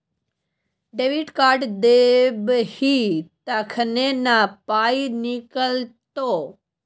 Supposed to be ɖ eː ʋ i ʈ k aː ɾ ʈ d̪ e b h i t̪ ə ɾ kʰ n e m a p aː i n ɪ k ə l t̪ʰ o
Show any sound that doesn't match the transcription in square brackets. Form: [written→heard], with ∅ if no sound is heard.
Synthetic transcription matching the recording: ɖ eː ʋ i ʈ k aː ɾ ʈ d̪ e b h i t̪ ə [ɾ→∅] kʰ n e [m→n] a p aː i n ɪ k ə l [t̪ʰ→t̪] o